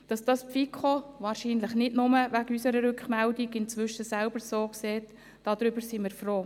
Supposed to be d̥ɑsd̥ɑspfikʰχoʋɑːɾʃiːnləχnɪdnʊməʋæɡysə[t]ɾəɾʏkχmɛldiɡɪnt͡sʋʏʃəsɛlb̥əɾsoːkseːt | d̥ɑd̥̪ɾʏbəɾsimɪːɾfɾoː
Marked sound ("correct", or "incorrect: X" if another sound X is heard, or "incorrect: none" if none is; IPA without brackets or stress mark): incorrect: none